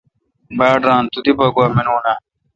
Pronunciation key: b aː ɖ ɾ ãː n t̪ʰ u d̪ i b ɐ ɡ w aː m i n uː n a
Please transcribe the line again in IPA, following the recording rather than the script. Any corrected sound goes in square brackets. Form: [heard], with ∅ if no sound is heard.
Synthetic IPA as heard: b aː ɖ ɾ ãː n [t̪] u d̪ i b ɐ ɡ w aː m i n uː n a